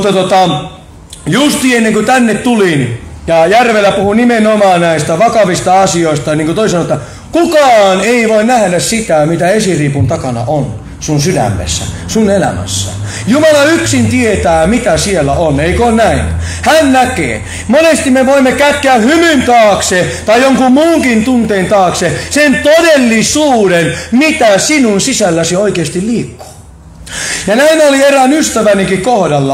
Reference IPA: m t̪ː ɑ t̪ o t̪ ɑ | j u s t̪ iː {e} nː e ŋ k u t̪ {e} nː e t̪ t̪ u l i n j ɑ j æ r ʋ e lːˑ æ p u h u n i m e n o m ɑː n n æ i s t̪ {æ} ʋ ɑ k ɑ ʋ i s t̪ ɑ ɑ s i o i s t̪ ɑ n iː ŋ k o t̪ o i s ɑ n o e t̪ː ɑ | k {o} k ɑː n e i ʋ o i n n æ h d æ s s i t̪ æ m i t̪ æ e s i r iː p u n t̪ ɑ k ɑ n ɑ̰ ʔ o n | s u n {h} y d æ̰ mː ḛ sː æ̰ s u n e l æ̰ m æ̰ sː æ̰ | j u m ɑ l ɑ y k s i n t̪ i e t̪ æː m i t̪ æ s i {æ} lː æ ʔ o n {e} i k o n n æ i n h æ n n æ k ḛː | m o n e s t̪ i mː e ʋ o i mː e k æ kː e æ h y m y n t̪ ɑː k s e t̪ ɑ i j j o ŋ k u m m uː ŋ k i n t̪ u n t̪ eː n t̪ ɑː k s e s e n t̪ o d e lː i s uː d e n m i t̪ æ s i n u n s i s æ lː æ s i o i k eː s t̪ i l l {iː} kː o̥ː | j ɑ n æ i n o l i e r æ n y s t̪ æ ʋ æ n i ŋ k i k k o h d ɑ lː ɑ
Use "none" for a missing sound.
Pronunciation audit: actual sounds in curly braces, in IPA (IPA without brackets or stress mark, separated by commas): e, æ, æ, u, s, e, e, iː